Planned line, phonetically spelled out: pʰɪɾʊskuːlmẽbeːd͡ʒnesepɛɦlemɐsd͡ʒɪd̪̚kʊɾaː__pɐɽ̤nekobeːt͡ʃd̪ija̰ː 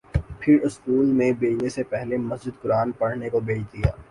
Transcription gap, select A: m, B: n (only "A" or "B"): B